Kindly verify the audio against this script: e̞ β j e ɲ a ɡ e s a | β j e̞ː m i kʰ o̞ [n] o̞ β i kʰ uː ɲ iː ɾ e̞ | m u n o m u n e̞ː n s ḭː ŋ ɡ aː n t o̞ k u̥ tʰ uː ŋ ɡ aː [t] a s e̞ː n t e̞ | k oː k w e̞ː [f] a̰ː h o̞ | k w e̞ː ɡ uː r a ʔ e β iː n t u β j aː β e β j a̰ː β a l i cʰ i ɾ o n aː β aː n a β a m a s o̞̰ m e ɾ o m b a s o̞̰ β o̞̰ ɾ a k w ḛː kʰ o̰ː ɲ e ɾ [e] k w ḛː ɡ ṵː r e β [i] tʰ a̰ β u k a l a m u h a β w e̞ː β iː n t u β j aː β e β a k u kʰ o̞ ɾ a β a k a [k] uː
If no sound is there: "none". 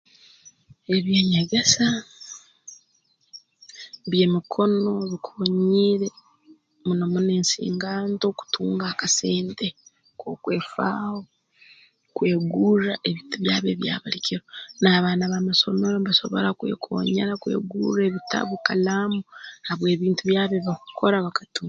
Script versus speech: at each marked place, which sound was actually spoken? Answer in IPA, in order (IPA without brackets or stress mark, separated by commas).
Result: n, k, f, a, i, t